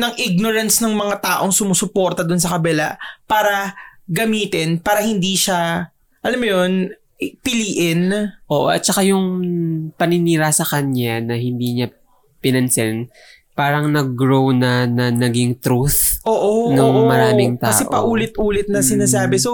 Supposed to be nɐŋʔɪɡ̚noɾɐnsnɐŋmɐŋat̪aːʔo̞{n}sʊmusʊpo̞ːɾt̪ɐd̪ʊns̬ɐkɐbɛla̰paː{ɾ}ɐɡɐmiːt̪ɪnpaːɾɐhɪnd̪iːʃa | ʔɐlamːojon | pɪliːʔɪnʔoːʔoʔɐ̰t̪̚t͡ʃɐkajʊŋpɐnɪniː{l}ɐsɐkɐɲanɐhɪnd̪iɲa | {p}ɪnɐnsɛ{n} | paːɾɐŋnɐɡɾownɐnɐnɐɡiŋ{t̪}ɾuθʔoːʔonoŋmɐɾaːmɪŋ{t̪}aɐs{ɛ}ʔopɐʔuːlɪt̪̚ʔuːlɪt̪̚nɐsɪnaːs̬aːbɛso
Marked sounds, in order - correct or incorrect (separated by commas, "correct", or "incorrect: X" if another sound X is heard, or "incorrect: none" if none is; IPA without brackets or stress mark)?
incorrect: ŋ, correct, incorrect: ɾ, correct, correct, correct, correct, correct